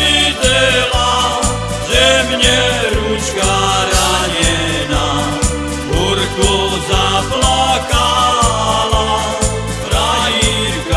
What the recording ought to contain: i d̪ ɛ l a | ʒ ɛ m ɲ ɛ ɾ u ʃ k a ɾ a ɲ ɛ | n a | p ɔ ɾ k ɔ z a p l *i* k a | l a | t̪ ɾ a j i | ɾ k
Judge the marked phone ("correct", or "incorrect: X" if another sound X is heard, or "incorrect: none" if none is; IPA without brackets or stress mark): incorrect: a